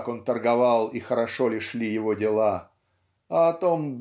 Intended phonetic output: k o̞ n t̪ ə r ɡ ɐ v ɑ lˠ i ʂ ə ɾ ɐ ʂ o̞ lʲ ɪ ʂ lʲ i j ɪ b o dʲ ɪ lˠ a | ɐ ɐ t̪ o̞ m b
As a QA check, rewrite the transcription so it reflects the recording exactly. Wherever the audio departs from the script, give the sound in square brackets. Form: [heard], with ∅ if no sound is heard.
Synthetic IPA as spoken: k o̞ n t̪ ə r ɡ ɐ v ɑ lˠ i [x] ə ɾ ɐ ʂ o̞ lʲ ɪ ʂ lʲ i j ɪ [v] o dʲ ɪ lˠ a | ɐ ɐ t̪ o̞ m b